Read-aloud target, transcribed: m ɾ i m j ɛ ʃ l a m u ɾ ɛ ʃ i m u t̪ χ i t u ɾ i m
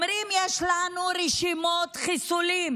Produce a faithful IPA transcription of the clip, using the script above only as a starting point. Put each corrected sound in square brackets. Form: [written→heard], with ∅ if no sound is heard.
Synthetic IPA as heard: m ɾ i m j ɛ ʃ l a [m→n] u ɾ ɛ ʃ i m [u→o] t̪ χ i [t→s] u [ɾ→l] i m